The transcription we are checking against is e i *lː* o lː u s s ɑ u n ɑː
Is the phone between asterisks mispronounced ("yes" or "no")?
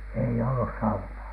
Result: yes